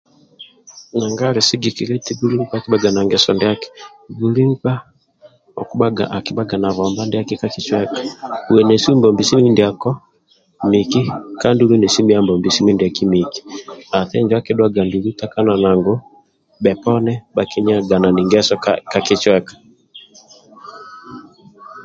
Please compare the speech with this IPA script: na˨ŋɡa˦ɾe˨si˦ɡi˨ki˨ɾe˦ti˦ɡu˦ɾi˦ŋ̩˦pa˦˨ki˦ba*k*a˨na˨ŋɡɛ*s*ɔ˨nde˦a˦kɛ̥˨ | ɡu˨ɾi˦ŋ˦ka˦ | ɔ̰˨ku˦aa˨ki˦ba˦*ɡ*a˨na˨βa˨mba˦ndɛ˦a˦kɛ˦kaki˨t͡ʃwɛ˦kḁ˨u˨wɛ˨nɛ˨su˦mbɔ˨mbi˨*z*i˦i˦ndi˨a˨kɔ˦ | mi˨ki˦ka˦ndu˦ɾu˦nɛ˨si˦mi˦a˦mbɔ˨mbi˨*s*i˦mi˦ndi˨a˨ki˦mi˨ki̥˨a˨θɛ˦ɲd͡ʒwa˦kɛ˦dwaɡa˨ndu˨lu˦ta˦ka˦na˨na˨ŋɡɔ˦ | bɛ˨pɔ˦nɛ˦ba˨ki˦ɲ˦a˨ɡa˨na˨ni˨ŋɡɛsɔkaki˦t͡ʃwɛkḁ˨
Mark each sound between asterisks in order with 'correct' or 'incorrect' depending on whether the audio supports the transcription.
incorrect: ɡ, correct, correct, incorrect: s, correct

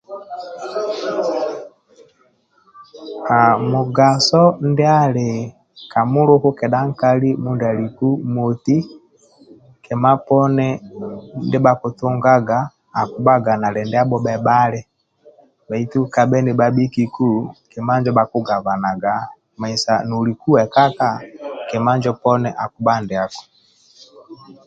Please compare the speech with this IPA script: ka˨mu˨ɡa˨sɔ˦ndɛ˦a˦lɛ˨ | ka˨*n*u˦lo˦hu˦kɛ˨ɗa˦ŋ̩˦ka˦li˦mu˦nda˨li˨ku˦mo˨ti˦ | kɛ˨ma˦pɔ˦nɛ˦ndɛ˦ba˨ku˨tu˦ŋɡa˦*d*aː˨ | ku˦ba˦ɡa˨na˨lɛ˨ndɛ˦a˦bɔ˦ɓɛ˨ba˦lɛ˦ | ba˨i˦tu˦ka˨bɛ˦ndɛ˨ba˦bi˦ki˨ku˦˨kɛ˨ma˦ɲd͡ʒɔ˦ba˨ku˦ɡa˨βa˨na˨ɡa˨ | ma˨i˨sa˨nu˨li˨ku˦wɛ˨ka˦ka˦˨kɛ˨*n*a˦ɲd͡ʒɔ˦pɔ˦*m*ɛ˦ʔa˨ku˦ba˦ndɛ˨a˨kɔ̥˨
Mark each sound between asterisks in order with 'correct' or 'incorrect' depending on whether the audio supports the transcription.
incorrect: m, incorrect: ɡ, incorrect: m, incorrect: n

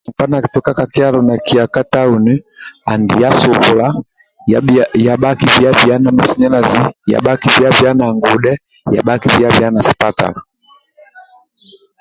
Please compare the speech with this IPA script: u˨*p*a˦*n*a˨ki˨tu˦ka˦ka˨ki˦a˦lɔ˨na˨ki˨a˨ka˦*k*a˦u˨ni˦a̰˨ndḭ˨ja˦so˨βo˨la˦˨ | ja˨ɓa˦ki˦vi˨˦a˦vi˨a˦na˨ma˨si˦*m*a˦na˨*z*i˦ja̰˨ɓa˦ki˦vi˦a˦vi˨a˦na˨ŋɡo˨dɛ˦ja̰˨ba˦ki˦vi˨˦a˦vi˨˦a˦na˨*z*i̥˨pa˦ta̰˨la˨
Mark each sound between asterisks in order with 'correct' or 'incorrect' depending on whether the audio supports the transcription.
correct, correct, incorrect: t, incorrect: ɲ, correct, incorrect: s

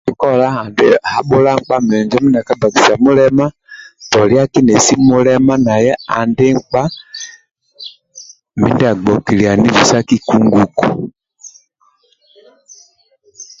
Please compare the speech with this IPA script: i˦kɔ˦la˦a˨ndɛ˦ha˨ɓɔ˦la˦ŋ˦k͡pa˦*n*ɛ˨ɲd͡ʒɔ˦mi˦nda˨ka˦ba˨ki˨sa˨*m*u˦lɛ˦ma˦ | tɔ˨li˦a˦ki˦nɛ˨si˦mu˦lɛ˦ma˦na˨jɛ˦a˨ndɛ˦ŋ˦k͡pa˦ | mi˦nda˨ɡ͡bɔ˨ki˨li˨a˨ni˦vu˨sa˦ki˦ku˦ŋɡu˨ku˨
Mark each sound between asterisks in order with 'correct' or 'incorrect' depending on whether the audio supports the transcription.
incorrect: m, correct

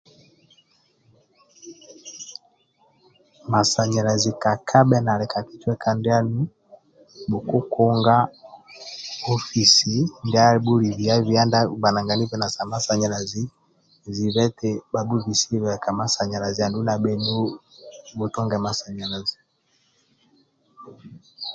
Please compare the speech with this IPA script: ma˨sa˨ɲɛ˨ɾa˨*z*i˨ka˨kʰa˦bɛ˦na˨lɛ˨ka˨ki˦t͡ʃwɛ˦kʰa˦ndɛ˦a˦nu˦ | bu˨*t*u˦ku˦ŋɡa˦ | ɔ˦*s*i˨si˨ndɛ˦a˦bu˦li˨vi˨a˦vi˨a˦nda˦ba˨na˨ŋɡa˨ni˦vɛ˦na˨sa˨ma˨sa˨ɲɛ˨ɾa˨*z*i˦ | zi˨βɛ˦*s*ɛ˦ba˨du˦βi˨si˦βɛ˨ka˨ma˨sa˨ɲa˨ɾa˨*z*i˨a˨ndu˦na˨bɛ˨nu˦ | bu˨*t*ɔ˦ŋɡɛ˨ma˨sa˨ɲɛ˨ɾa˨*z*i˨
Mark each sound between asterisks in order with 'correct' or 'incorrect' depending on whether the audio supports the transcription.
correct, incorrect: k, incorrect: f, correct, incorrect: t, correct, correct, correct

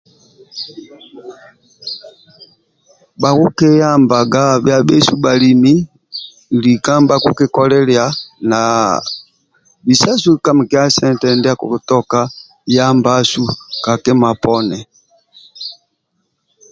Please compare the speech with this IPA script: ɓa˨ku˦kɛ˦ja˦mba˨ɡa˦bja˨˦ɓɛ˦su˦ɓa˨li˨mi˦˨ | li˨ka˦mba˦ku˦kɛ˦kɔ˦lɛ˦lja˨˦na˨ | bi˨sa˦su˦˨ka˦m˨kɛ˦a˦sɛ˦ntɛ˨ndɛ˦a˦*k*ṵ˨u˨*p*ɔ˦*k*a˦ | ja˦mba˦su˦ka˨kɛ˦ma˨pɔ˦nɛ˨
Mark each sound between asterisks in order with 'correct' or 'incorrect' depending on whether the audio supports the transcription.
correct, incorrect: t, correct

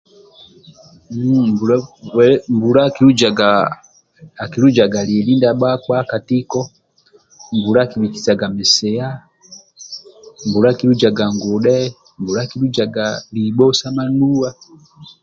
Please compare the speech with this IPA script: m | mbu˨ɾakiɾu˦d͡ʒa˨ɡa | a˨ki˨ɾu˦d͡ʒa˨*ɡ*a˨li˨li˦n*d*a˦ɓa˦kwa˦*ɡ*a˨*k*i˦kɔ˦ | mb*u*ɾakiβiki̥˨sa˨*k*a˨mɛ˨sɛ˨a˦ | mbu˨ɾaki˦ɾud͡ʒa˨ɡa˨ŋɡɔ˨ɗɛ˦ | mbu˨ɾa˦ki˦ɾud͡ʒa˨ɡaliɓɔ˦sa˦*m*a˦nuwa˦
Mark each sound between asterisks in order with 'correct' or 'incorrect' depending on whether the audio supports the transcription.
correct, correct, incorrect: k, incorrect: t, correct, incorrect: ɡ, correct

